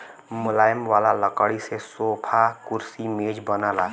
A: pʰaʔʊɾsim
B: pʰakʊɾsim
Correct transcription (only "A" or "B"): B